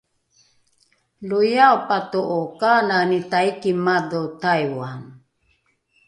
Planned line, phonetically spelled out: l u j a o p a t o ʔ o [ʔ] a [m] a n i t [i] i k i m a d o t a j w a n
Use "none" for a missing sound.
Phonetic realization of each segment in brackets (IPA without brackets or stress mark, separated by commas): k, n, a